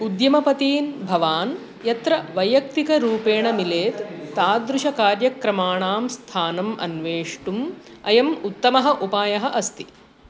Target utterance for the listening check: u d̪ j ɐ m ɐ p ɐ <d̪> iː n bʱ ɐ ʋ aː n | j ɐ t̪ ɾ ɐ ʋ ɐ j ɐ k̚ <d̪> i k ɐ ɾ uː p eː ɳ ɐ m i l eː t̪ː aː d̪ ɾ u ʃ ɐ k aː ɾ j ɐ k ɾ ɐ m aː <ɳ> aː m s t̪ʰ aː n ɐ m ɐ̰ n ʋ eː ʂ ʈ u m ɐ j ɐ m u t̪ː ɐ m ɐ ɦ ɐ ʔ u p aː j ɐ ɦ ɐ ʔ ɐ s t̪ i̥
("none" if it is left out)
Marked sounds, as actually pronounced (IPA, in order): t̪, t̪, ɳ

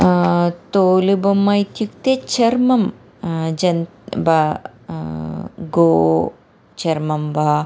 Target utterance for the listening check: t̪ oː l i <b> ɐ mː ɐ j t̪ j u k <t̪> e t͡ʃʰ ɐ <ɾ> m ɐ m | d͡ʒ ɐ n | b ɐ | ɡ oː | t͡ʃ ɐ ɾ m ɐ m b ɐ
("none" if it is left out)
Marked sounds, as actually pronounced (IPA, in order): b, t̪, ɾ

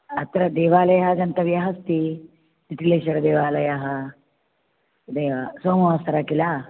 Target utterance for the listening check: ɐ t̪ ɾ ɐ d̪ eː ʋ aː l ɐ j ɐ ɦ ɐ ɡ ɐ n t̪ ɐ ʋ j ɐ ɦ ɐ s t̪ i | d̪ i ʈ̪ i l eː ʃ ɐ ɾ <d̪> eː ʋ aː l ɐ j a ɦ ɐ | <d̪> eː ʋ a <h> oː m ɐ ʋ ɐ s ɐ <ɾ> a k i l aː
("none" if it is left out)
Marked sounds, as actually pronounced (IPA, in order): d̪, d̪, s, ɾ

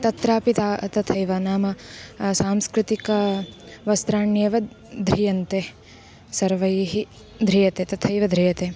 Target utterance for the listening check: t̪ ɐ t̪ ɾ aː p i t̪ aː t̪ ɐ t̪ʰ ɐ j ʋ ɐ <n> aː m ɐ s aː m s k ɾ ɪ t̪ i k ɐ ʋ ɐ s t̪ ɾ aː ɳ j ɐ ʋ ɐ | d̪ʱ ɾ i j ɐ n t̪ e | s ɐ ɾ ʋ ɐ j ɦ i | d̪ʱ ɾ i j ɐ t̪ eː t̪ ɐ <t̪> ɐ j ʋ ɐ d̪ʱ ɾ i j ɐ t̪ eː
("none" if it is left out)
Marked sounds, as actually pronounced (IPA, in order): n, t̪ʰ

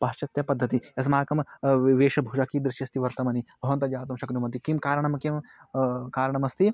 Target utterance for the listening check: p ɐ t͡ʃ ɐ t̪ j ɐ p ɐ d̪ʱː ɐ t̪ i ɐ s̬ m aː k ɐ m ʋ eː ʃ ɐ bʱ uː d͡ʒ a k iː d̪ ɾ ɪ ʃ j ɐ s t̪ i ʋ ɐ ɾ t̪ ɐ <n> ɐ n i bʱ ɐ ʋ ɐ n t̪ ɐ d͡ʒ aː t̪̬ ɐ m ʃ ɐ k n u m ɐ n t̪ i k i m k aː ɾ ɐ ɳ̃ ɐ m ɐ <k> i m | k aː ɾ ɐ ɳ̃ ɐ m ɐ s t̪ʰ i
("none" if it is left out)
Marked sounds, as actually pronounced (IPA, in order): m, k

